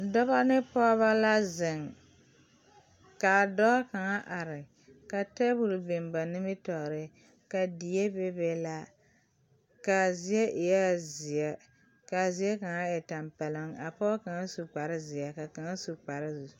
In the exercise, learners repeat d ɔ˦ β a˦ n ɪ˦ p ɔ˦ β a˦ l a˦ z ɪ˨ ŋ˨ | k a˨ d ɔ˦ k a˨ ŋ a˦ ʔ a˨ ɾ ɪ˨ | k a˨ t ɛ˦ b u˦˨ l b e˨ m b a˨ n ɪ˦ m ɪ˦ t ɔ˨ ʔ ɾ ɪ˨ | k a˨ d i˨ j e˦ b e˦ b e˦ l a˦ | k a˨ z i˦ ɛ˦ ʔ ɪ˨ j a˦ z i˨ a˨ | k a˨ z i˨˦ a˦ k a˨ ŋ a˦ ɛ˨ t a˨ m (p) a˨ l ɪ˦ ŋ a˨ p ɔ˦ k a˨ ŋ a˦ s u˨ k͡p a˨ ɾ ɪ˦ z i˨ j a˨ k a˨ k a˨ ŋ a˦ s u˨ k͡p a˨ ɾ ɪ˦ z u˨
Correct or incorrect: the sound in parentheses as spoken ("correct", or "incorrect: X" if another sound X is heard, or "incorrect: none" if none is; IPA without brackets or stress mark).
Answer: correct